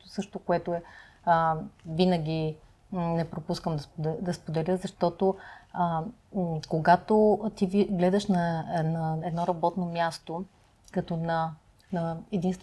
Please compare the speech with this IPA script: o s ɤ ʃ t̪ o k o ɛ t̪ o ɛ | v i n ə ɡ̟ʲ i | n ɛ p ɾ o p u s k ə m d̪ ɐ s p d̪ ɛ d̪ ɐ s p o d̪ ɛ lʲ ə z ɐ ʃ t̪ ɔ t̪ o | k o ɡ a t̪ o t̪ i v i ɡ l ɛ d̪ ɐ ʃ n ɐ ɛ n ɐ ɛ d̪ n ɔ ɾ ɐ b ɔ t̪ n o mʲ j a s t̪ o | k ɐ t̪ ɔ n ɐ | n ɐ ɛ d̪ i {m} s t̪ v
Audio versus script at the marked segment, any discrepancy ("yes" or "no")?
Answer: yes